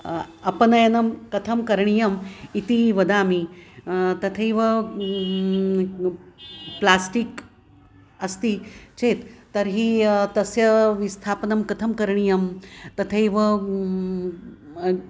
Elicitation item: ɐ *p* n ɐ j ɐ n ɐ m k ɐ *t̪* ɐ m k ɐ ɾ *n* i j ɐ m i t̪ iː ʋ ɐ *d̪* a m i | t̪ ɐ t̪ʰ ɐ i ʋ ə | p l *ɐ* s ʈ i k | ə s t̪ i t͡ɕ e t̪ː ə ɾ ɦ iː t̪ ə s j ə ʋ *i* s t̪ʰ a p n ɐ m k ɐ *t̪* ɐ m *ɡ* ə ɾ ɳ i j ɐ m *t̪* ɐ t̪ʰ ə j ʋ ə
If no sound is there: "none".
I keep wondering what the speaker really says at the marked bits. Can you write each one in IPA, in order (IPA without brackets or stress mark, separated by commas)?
p, t̪ʰ, ɳ, d̪, a, i, t̪ʰ, k, t̪